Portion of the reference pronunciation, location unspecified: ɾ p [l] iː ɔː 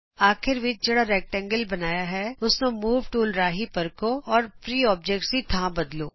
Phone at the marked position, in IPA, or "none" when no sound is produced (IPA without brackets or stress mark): ɾ